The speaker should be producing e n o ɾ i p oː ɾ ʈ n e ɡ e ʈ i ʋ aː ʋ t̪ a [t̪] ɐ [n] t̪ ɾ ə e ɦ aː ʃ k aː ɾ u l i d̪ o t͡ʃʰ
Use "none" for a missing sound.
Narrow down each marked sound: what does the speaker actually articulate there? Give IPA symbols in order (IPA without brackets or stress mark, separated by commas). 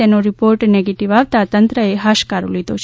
t̪, n